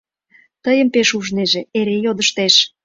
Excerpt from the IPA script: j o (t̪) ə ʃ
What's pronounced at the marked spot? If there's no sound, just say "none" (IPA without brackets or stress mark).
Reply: d̪